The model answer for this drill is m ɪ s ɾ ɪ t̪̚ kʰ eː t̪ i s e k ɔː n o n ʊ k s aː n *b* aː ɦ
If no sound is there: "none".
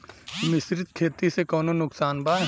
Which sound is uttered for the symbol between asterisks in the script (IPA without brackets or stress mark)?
b